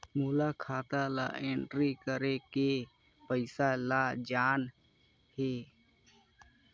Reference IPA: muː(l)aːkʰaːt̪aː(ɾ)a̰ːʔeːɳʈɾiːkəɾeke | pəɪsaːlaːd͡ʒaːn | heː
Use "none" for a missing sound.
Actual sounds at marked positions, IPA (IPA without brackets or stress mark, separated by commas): l, l